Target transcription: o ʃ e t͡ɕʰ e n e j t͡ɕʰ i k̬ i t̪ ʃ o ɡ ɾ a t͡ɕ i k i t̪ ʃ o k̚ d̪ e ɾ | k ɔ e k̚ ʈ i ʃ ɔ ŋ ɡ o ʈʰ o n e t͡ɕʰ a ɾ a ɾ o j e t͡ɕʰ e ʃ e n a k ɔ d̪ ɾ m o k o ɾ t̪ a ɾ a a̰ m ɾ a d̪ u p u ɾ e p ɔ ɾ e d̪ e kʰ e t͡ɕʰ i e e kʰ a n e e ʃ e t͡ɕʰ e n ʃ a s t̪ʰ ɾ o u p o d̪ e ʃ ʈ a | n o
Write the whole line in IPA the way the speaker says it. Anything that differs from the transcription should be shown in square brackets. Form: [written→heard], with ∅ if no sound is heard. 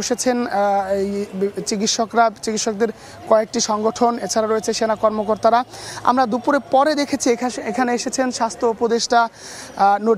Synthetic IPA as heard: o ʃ e t͡ɕʰ e n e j [t͡ɕʰ→t͡ɕ] i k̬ i t̪ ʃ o [ɡ→k] ɾ a t͡ɕ i k i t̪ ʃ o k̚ d̪ e ɾ | k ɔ e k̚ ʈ i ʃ ɔ ŋ ɡ o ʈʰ o n e t͡ɕʰ a ɾ a ɾ o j e t͡ɕʰ e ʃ e n a k ɔ [d̪→∅] ɾ m o k o ɾ t̪ a ɾ a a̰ m ɾ a d̪ u p u ɾ e p ɔ ɾ e d̪ e kʰ e t͡ɕʰ i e e kʰ a n e e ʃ e t͡ɕʰ e n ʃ a s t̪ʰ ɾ o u p o d̪ e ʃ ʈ a | n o